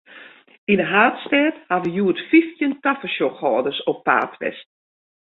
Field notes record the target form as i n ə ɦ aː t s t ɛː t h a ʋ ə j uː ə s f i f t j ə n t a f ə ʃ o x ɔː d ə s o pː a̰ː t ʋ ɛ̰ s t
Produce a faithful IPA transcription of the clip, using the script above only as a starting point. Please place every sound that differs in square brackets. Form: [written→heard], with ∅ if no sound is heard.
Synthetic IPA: i n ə ɦ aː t s t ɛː t h a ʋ ə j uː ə [s→t] f i f t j ə n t a f ə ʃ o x ɔː d ə s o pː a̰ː t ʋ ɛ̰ s t